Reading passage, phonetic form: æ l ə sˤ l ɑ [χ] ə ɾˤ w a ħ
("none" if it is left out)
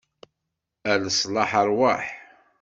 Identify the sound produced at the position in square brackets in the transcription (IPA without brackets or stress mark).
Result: ħ